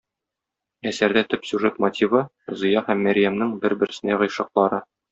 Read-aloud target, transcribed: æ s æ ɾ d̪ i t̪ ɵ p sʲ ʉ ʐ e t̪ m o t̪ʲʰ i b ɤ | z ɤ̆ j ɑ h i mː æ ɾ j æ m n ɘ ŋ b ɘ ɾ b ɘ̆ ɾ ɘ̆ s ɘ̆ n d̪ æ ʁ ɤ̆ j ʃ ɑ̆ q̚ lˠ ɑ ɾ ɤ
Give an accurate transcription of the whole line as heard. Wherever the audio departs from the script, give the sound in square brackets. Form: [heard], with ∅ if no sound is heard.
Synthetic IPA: æ s æ ɾ d̪ [æ] t̪ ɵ p sʲ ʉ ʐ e t̪ m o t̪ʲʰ i [v] ɤ | z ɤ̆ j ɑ h [æ] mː æ ɾ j æ m n ɘ ŋ b ɘ ɾ b ɘ̆ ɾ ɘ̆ s ɘ̆ n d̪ æ ʁ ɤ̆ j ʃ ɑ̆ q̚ lˠ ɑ ɾ ɤ